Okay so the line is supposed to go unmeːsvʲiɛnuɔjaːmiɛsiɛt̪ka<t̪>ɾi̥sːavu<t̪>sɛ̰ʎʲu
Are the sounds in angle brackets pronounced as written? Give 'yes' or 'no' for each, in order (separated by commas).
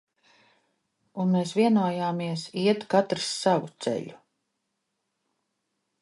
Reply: yes, yes